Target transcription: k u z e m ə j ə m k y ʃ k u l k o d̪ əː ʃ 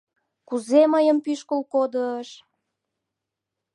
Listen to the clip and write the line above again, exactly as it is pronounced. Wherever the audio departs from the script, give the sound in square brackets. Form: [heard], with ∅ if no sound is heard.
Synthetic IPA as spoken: k u z e m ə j ə m [p] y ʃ k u l k o d̪ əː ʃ